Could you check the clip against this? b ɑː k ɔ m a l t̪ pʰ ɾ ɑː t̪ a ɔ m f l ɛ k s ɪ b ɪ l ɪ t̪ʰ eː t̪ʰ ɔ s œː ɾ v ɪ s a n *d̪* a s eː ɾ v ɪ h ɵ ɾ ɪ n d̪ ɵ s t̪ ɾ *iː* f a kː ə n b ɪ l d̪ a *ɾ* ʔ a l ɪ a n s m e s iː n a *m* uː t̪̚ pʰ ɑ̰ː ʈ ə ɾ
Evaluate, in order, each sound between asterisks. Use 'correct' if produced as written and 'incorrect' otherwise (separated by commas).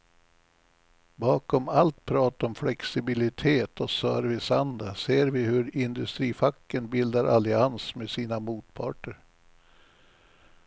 correct, correct, correct, correct